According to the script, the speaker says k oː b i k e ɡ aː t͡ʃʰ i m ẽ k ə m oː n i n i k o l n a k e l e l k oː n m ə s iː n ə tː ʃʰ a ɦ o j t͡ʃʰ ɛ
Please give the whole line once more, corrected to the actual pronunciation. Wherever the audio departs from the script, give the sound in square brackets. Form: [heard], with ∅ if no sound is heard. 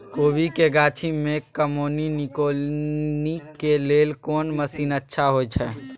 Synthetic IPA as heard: k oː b i k e ɡ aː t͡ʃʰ i m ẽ k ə m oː n i n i k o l n [i] k e l e l k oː n m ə s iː n ə tː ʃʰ a ɦ o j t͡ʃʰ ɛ